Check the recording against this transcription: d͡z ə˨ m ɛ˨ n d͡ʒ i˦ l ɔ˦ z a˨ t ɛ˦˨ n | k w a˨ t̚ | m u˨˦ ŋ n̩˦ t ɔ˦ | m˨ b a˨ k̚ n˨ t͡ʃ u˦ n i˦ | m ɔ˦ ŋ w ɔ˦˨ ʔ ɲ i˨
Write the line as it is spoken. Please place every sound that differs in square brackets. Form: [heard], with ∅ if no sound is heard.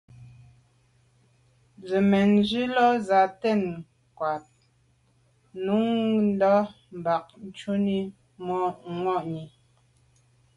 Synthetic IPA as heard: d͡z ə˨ m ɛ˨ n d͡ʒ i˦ l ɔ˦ z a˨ t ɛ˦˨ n | k w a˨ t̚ | [n] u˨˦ ŋ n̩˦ [d] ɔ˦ | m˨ b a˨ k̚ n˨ t͡ʃ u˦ n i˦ | m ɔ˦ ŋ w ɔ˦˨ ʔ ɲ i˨